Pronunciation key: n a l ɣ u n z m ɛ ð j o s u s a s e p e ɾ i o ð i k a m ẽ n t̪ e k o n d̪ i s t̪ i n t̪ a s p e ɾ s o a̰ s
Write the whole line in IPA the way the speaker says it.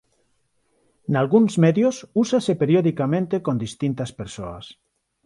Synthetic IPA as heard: n a l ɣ u n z m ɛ ð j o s u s a s e p e ɾ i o ð i k a m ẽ n t̪ e k o n d̪ i s t̪ i n t̪ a s p e ɾ s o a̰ s